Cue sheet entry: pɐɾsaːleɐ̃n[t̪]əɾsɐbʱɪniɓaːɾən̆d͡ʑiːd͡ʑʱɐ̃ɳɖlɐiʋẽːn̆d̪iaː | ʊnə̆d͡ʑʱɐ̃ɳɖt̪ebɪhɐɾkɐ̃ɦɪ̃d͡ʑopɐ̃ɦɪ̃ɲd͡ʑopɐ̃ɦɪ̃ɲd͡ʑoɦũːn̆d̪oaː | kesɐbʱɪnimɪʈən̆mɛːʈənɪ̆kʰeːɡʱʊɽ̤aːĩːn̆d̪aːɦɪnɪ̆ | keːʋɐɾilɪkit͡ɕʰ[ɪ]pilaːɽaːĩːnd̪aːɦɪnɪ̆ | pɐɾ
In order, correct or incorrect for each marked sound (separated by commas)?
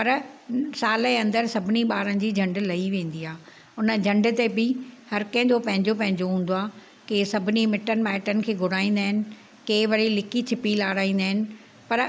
incorrect, correct